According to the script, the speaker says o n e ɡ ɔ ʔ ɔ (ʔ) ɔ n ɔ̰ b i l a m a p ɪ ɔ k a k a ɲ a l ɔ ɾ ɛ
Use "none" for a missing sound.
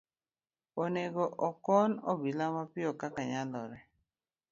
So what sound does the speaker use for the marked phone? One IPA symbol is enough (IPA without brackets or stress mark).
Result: k